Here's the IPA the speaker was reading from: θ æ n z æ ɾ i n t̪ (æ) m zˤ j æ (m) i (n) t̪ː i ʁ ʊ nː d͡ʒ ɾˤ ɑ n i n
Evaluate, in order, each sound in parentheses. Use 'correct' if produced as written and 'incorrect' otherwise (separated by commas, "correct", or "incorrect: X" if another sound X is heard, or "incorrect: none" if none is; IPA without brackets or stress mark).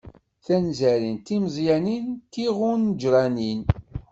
incorrect: i, incorrect: n, correct